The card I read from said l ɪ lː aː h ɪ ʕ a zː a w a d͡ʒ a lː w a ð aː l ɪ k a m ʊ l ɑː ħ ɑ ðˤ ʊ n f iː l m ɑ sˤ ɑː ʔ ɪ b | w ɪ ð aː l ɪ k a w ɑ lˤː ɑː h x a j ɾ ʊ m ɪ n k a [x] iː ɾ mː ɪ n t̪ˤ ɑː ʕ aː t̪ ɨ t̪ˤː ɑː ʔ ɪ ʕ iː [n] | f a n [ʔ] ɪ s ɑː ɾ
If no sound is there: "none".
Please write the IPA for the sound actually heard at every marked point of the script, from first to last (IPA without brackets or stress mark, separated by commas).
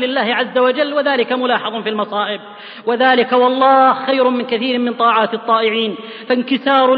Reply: θ, n, k